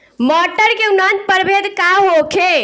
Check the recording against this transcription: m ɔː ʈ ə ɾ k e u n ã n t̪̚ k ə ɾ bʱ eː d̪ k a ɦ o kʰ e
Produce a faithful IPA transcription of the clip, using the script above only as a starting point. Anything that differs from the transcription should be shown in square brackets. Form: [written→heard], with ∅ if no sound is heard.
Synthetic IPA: m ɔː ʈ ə ɾ k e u n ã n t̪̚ [k→p] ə ɾ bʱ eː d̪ k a ɦ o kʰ e